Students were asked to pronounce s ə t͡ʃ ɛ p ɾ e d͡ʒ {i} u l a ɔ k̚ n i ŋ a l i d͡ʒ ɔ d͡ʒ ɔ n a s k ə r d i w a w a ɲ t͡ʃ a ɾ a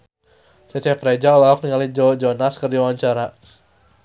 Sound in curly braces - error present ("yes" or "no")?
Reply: yes